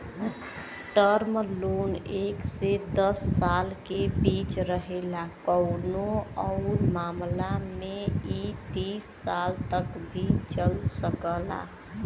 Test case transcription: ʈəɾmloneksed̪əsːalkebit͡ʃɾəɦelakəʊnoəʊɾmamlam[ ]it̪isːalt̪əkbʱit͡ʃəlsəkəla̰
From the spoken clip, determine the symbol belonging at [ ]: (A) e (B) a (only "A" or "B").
A